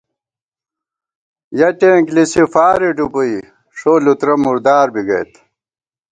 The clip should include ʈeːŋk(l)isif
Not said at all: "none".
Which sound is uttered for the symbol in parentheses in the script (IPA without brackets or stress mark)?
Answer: l